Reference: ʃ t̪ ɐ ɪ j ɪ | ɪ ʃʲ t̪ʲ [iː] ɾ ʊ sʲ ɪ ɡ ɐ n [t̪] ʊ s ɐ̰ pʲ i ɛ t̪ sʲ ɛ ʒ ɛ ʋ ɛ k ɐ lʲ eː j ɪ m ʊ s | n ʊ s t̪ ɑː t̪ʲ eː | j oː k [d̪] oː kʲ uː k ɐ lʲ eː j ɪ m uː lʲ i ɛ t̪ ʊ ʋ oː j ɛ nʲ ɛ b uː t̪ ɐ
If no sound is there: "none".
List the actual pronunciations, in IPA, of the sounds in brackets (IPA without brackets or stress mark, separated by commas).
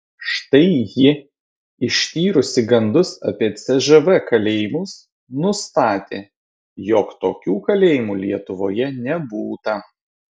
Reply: iː, d̪, t̪